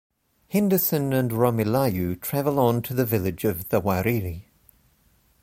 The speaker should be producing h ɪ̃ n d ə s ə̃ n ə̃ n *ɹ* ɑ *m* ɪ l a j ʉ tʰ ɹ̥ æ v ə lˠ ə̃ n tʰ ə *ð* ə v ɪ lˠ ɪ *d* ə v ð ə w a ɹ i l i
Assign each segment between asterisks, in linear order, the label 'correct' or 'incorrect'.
correct, correct, correct, incorrect: d͡ʒ

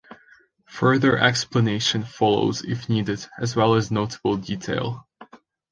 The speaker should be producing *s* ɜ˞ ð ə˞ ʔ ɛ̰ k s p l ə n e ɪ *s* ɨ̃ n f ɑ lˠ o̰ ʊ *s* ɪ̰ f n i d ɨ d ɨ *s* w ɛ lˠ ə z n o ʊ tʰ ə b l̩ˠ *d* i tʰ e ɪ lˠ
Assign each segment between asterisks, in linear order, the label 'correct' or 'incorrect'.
incorrect: f, incorrect: ʃ, incorrect: z, incorrect: z, correct

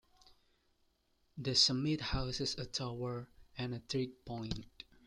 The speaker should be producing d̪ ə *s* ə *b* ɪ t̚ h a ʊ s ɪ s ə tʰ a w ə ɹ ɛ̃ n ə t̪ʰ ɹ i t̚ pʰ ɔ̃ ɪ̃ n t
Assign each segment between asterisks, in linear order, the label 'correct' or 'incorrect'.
correct, incorrect: m

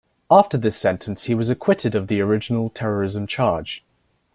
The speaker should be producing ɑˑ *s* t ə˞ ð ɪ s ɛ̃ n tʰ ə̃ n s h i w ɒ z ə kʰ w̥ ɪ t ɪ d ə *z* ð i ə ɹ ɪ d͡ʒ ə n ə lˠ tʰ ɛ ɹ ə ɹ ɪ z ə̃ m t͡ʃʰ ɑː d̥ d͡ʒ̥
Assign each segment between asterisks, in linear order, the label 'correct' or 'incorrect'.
incorrect: f, incorrect: v

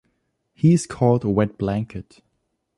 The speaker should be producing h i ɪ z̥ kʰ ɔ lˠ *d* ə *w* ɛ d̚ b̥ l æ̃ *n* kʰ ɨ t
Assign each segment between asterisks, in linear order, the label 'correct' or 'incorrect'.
correct, correct, incorrect: ŋ

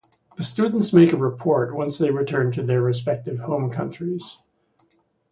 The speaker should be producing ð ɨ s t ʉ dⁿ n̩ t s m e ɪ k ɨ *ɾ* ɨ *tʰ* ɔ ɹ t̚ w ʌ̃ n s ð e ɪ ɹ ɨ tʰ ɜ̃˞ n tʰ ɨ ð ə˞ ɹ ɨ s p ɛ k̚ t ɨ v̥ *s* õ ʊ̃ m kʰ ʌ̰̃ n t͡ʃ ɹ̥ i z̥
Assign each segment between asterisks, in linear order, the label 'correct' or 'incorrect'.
incorrect: ɹ, incorrect: pʰ, incorrect: h

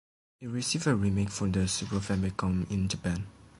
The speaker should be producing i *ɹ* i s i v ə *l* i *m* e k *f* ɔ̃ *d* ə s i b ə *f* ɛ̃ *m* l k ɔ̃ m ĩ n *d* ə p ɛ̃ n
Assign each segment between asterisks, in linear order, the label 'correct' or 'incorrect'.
correct, incorrect: ɹ, correct, correct, correct, correct, correct, incorrect: d͡ʒ

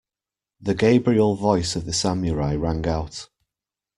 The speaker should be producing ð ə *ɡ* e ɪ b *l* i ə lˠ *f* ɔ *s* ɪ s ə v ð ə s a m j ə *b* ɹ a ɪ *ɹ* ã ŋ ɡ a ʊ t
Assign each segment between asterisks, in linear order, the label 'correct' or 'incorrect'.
correct, incorrect: ɹ, incorrect: v, incorrect: none, incorrect: none, correct

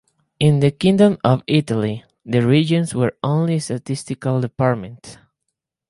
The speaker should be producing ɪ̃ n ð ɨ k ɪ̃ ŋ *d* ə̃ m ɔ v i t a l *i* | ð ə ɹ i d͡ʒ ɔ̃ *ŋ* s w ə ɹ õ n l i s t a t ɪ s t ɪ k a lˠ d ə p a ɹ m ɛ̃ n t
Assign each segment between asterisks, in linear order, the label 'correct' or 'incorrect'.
correct, correct, incorrect: n

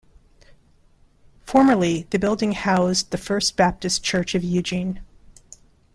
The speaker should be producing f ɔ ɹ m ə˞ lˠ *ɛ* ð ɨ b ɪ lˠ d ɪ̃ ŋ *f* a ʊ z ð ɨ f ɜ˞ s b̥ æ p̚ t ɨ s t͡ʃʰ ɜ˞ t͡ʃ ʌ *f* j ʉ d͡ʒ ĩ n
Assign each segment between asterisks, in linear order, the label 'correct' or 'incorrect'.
incorrect: i, incorrect: h, incorrect: v

